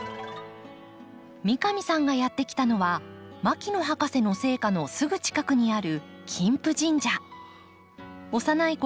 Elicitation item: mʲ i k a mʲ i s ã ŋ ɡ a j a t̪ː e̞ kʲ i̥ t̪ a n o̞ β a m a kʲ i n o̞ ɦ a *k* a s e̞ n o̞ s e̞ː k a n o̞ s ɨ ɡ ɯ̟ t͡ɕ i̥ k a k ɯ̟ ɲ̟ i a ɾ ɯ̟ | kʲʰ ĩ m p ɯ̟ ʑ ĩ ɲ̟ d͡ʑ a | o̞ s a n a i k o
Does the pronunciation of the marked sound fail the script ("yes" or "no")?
no